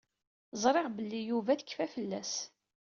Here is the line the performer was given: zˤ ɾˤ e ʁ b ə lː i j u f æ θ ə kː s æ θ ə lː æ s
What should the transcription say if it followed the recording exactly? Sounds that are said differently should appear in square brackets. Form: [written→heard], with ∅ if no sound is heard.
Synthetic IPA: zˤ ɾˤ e ʁ b ə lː i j u [f→v] æ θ ə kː [s→f] æ [θ→f] ə lː æ s